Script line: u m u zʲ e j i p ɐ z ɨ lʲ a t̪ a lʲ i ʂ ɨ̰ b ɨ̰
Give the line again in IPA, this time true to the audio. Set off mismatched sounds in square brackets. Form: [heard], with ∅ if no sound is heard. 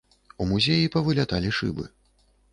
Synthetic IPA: u m u zʲ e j i p ɐ [v] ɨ lʲ a t̪ a lʲ i ʂ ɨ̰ b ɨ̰